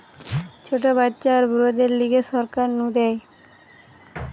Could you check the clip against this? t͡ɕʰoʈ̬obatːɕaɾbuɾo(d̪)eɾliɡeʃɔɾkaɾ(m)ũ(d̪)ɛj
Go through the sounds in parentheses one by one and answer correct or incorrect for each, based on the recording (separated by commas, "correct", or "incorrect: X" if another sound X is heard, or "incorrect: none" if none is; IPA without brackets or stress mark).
correct, incorrect: n, correct